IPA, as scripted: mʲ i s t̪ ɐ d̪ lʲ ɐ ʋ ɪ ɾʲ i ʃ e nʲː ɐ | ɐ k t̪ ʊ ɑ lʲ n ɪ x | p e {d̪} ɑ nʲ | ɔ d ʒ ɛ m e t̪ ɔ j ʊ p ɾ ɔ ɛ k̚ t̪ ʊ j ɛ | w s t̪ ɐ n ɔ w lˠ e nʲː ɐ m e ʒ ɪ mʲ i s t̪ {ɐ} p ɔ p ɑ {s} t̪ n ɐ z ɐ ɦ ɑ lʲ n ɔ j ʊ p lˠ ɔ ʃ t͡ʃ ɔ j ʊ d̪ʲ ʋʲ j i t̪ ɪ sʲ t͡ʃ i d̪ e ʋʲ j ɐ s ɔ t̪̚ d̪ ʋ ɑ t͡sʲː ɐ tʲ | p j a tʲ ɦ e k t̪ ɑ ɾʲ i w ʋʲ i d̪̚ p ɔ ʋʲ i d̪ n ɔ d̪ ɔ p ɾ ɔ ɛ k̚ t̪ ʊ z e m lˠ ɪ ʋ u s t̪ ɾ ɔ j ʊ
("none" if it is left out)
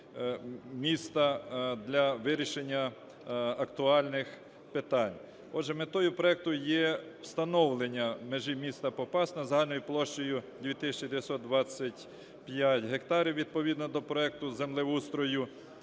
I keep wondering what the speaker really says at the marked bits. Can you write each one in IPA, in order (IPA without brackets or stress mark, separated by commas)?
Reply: t̪, ɐ, s